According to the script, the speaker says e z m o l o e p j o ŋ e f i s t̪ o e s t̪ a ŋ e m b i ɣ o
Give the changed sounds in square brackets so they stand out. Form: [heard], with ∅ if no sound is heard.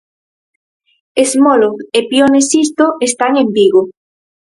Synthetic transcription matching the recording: e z m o l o e p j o [n] e [s] i s t̪ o e s t̪ a ŋ e m b i ɣ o